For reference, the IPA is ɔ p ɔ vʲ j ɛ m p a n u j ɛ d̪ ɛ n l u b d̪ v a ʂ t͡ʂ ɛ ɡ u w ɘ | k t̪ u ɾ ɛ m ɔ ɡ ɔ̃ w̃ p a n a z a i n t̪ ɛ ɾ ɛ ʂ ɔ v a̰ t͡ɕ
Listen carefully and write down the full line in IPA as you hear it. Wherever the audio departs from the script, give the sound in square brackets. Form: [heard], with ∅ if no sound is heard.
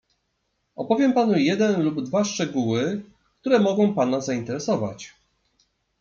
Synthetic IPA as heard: ɔ p ɔ vʲ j ɛ m p a n u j ɛ d̪ ɛ n l u b d̪ v a ʂ t͡ʂ ɛ ɡ u w ɘ | k t̪ u ɾ ɛ m ɔ ɡ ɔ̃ w̃ p a n a z a i n t̪ ɛ ɾ ɛ [s] ɔ v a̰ t͡ɕ